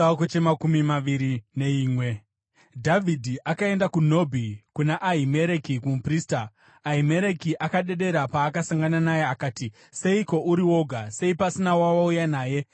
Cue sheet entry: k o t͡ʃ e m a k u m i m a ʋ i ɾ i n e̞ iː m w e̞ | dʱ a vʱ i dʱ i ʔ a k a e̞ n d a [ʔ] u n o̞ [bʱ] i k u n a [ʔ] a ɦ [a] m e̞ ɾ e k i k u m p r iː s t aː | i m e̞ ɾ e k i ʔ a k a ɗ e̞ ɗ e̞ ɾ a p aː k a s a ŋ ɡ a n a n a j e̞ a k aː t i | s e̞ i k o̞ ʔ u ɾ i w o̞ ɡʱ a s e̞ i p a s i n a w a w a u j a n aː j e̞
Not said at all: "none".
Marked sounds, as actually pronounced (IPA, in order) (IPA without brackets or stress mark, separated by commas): k, bʱ, ʔ, i